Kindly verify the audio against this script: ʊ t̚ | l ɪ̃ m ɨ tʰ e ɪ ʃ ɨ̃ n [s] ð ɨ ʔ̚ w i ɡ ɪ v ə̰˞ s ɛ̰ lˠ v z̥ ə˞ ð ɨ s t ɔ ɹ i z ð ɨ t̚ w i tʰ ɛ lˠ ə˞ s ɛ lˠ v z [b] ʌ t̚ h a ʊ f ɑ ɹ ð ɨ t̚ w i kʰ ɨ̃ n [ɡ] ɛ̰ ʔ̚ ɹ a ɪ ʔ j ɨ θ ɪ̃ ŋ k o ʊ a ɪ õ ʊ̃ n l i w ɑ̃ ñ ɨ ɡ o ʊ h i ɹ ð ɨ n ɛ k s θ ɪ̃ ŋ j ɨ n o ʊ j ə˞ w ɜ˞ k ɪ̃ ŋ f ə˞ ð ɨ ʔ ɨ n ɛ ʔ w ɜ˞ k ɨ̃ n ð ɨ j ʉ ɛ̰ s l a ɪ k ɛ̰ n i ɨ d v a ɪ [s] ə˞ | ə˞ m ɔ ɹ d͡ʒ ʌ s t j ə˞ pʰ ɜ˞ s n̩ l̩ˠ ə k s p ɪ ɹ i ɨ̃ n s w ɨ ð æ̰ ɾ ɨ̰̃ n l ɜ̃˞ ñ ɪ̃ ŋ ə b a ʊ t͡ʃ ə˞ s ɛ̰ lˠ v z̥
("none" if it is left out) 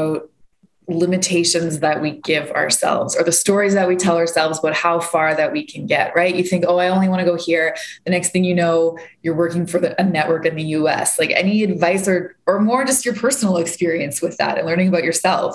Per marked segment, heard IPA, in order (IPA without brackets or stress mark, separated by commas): z, b, ɡ, s